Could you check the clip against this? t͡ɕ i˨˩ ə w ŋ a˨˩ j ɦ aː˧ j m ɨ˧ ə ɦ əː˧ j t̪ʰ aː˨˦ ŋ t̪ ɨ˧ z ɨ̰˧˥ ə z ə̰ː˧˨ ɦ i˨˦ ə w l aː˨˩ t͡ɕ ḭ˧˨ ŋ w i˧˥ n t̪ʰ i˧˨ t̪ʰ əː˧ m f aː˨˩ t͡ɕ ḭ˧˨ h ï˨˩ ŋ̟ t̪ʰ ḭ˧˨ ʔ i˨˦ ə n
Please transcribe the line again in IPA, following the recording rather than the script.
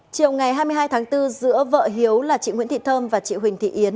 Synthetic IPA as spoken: t͡ɕ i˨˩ ə w ŋ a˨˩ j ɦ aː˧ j m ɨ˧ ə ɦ aː˧ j t̪ʰ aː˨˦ ŋ t̪ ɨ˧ z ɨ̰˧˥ ə v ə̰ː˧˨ ɦ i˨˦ ə w l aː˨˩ t͡ɕ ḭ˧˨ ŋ w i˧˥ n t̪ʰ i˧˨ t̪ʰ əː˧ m v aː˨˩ t͡ɕ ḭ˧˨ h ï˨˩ ŋ̟ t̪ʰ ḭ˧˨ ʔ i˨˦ ə n

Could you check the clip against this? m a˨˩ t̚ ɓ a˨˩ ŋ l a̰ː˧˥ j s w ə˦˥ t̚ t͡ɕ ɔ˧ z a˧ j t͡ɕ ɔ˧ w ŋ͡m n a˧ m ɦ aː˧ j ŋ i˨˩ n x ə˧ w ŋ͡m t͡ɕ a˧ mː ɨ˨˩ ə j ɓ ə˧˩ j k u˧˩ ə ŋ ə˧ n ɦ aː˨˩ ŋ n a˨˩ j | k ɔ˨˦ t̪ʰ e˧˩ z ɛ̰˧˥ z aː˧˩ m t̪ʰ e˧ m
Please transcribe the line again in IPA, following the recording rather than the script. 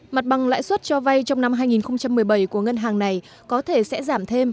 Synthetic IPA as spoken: m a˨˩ t̚ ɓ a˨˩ ŋ l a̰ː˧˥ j s w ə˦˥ t̚ t͡ɕ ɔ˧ v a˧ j t͡ɕ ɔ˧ w ŋ͡m n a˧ m ɦ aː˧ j ŋ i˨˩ n x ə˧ w ŋ͡m t͡ɕ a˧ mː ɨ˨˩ ə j ɓ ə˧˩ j k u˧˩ ə ŋ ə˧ n ɦ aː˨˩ ŋ n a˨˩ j | k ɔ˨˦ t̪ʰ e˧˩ s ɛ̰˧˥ z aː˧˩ m t̪ʰ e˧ m

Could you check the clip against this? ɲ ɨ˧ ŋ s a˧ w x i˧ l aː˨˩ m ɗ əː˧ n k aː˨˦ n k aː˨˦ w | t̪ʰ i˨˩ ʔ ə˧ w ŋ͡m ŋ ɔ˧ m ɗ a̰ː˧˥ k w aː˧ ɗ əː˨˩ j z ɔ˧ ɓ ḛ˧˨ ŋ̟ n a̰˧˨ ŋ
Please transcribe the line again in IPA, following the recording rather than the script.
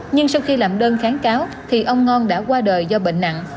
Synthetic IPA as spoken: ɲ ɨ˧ ŋ s a˧ w x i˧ l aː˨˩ m ɗ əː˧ n x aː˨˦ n k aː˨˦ w | t̪ʰ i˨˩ ʔ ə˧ w ŋ͡m ŋ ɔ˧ n ɗ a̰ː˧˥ k w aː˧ ɗ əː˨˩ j z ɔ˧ ɓ ḛ˧˨ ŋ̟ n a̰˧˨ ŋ

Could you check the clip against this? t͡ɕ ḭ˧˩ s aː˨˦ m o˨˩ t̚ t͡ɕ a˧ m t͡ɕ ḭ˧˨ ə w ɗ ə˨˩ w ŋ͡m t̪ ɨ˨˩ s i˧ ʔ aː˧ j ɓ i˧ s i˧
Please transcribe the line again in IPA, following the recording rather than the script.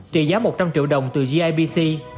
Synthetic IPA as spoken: t͡ɕ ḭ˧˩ z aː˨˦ m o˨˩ t̚ t͡ɕ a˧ m t͡ɕ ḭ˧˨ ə w ɗ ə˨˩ w ŋ͡m t̪ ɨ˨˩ z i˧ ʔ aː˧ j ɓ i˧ s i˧

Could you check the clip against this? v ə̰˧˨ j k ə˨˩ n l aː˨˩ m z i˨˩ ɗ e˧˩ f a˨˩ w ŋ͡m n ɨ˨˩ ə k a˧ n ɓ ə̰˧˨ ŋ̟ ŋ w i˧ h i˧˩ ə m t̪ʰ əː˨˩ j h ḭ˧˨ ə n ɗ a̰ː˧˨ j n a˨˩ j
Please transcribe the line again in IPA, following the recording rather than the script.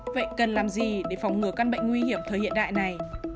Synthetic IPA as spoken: v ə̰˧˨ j k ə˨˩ n l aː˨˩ m z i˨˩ ɗ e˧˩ f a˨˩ w ŋ͡m ŋ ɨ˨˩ ə k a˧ n ɓ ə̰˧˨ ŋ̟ ŋ w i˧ h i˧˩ ə m t̪ʰ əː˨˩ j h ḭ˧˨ ə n ɗ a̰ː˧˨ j n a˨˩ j

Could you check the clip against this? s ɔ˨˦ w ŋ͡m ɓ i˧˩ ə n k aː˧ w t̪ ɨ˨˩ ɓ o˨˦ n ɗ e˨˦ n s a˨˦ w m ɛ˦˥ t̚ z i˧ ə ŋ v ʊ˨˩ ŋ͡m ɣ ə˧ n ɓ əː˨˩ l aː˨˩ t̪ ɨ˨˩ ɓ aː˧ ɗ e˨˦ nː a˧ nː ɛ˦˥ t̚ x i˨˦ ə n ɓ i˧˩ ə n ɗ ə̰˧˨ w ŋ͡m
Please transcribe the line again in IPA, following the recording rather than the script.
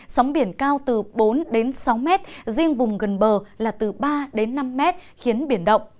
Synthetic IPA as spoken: s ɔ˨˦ w ŋ͡m ɓ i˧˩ ə n k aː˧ w t̪ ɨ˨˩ ɓ o˨˦ n ɗ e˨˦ n s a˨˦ w m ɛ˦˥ t̚ z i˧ ə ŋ v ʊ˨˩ ŋ͡m ɣ ə˨˩ n ɓ əː˨˩ l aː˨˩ t̪ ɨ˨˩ ɓ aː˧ ɗ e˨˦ nː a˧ mː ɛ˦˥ t̚ x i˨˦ ə n ɓ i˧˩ ə n ɗ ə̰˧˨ w ŋ͡m

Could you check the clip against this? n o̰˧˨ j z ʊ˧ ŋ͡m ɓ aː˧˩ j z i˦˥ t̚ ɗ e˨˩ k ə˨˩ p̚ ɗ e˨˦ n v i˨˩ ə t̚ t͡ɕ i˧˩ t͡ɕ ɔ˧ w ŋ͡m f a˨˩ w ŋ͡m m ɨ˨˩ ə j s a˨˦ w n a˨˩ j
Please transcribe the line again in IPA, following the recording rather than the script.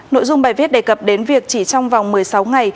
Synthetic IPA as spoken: n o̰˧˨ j z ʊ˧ ŋ͡m ɓ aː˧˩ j v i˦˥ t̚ ɗ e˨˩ k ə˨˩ p̚ ɗ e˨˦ n v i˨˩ ə k̚ t͡ɕ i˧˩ t͡ɕ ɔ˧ w ŋ͡m v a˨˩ w ŋ͡m m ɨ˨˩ ə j s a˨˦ w ŋ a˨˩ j

